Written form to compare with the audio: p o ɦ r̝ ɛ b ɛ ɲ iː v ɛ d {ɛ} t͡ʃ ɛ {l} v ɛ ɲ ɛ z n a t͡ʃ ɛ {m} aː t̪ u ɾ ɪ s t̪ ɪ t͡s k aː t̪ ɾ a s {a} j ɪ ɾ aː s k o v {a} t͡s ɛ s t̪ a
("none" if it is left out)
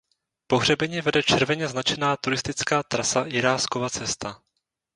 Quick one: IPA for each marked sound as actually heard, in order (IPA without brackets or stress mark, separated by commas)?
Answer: ɛ, ɾ, n, a, a